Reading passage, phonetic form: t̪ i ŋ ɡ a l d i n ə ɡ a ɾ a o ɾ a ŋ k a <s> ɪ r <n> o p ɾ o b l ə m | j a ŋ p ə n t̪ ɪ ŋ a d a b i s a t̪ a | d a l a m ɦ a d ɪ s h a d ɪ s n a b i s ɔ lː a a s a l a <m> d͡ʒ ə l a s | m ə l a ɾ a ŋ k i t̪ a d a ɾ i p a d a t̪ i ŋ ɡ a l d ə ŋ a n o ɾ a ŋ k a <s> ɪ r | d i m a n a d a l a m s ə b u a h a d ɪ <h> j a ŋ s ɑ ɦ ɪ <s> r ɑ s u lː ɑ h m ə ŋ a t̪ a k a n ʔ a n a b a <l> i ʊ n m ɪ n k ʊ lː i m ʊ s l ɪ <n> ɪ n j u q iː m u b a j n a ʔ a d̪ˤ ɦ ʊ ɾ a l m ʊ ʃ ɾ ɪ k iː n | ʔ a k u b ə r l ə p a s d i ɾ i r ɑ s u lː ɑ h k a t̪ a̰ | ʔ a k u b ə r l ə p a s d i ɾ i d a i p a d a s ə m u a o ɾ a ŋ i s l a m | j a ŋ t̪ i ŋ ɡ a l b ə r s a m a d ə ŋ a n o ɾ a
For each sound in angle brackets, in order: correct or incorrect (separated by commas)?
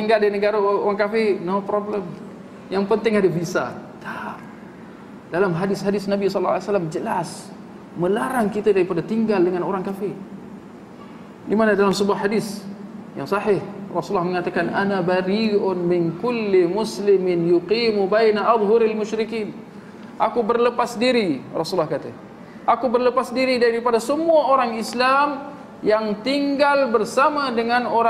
incorrect, correct, correct, incorrect, incorrect, incorrect, incorrect, incorrect